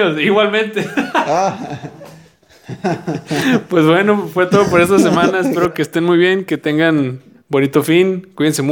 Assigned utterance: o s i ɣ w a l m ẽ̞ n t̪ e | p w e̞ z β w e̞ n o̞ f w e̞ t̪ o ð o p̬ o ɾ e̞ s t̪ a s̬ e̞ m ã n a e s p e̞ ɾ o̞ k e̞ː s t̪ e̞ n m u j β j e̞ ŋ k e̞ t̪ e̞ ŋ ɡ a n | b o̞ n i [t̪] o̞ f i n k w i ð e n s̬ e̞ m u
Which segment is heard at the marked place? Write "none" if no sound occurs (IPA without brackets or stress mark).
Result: t̪